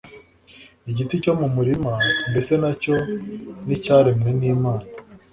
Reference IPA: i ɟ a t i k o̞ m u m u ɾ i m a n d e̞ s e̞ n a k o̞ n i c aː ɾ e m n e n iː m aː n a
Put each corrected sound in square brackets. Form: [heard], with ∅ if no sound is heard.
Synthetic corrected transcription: i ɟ [i] t i [c] o̞ m u m u ɾ i m a n d e̞ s e̞ n a [c] o̞ n i c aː ɾ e m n e n iː m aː n a